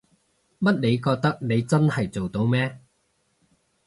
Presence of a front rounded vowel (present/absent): absent